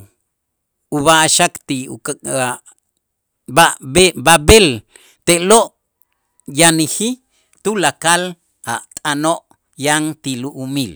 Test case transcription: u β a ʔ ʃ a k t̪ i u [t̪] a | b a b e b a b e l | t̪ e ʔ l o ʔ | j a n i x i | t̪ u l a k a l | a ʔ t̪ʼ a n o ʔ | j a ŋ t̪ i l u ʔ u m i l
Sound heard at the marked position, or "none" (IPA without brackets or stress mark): none